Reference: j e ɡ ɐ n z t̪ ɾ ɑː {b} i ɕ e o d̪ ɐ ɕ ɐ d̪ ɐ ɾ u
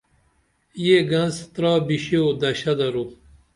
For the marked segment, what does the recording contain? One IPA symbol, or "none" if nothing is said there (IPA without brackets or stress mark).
b